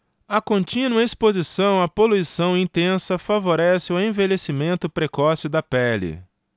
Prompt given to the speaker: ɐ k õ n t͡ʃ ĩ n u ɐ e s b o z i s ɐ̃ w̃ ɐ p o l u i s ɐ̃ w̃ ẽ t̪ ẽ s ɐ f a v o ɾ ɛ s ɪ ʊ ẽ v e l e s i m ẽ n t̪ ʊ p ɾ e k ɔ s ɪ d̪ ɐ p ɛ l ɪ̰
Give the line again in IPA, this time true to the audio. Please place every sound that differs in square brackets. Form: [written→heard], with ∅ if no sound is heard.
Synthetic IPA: ɐ k õ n t͡ʃ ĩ n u ɐ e s [b→p] o z i s ɐ̃ w̃ ɐ p o l u i s ɐ̃ w̃ [ẽ→ĩ] t̪ ẽ s ɐ f a v o ɾ ɛ s ɪ ʊ ẽ v e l e s i m ẽ n t̪ ʊ p ɾ e k ɔ s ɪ d̪ ɐ p ɛ l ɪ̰